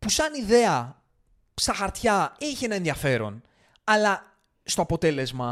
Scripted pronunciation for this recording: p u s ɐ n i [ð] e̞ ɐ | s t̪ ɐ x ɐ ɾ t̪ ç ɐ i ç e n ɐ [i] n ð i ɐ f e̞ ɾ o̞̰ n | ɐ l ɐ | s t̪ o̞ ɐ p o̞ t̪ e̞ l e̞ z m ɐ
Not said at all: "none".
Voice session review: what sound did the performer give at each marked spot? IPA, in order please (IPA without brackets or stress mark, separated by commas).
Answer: ð, e